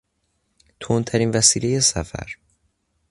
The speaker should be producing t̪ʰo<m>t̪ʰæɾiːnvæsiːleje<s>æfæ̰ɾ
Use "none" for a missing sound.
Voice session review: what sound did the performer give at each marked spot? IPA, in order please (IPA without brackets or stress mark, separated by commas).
n, s